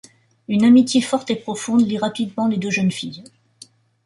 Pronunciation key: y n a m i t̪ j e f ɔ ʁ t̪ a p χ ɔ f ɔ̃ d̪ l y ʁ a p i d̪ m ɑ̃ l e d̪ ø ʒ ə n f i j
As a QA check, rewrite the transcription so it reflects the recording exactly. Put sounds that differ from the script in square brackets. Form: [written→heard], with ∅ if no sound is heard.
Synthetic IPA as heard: y n a m i t̪ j e f ɔ ʁ t̪ [a→e] p χ ɔ f ɔ̃ d̪ l [y→i] ʁ a p i d̪ m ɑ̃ l e d̪ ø ʒ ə n f i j

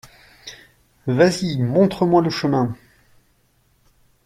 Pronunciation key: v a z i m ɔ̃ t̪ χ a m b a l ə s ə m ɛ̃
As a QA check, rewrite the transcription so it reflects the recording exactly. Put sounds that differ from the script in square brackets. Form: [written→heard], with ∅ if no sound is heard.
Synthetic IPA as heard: v a z i m ɔ̃ t̪ χ [a→ə] m [b→w] a l ə [s→ʃ] ə m ɛ̃

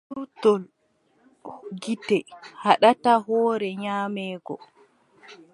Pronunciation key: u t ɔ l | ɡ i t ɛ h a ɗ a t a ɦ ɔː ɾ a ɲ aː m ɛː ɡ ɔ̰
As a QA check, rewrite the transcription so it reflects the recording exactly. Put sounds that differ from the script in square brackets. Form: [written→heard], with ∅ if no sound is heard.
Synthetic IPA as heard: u t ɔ l | ɡ i t ɛ h a ɗ a t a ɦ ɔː ɾ [a→ɛ] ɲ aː m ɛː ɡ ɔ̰

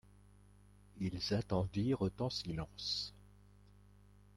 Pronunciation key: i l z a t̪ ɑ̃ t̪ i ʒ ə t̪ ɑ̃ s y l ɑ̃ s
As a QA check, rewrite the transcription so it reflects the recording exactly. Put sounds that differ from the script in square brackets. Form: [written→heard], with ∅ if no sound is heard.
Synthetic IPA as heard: i l z a t̪ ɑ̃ [t̪→d̪] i [ʒ→ʁ] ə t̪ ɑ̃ s [y→i] l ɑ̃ s

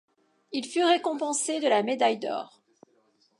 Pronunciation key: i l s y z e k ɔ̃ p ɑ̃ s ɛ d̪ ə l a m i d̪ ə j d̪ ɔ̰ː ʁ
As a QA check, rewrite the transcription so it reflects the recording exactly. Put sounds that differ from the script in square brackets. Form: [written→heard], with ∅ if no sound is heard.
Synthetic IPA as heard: i l [s→f] y [z→ʁ] e k ɔ̃ p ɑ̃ s [ɛ→e] d̪ ə l a m [i→e] d̪ [ə→a] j d̪ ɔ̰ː ʁ

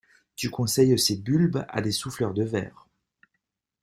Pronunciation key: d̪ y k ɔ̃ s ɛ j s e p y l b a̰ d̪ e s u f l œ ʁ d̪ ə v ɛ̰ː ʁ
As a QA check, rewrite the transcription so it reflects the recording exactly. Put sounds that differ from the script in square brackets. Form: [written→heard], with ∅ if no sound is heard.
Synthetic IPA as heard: [d̪→t̪] y k ɔ̃ s ɛ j s e [p→b] y l b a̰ d̪ e s u f l œ ʁ d̪ ə v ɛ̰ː ʁ

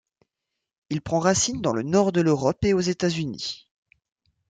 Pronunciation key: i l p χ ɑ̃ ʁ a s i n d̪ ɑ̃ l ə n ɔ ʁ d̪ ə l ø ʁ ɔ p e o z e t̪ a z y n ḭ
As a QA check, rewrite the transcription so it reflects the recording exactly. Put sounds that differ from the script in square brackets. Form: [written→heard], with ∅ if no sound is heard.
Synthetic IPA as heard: i l p χ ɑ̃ ʁ a s i n d̪ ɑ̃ l ə n ɔ ʁ d̪ ə l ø ʁ ɔ p e o z e t̪ a z y n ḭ

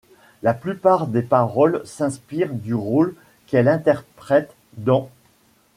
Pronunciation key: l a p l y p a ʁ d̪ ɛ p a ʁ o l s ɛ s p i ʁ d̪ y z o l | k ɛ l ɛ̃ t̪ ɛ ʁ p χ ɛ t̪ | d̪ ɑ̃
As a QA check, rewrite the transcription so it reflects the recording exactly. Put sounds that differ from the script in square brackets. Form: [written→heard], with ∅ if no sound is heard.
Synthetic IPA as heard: l a p l y p a ʁ d̪ [ɛ→e] p a ʁ [o→ɔ] l s [ɛ→ɛ̃] s p i ʁ d̪ y [z→ʁ] o l | k ɛ l ɛ̃ t̪ ɛ ʁ p χ ɛ t̪ | d̪ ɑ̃

